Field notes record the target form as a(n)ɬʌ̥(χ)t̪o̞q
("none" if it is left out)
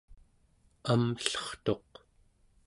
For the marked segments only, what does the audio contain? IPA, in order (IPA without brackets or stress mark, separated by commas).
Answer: m, χ